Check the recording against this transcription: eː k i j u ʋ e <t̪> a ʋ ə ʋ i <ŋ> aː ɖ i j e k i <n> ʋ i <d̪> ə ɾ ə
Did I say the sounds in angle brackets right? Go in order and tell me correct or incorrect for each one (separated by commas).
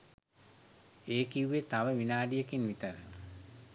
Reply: correct, incorrect, correct, incorrect